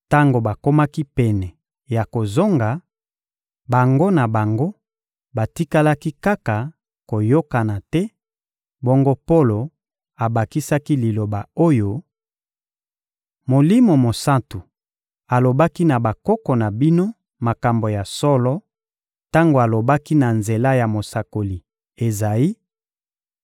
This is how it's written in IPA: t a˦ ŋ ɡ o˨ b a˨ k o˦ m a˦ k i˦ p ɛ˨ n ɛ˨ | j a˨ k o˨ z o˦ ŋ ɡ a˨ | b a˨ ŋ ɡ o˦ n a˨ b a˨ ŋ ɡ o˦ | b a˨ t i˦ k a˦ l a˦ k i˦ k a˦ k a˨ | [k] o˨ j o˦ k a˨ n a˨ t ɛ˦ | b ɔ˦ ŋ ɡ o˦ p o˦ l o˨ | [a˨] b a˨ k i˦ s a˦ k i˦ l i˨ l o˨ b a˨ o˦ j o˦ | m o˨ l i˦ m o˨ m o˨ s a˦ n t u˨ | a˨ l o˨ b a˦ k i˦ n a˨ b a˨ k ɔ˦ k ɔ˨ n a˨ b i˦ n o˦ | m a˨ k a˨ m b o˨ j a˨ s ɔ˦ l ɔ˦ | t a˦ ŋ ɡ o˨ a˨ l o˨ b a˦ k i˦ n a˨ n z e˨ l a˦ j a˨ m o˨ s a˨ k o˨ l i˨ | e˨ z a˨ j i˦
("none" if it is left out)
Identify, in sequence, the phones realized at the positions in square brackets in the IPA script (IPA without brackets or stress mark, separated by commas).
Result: k, a˨